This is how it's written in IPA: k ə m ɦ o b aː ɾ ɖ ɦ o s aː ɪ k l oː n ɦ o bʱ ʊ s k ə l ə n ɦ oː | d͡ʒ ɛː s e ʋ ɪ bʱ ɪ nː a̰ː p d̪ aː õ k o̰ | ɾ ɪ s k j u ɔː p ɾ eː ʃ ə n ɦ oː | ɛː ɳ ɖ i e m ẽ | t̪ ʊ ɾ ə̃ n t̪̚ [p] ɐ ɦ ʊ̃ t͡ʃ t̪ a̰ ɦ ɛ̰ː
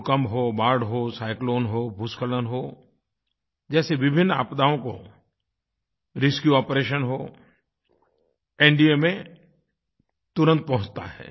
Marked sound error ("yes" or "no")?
no